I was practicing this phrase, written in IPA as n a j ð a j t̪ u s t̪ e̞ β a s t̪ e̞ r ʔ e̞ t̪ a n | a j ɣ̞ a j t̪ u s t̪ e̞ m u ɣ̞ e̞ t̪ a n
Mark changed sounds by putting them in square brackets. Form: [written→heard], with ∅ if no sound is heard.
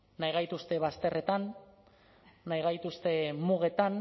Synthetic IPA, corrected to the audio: n a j [ð→ɣ] a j t̪ u s t̪ e̞ β a s t̪ e̞ r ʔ e̞ t̪ a n | a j ɣ̞ a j t̪ u s t̪ e̞ m u ɣ̞ e̞ t̪ a n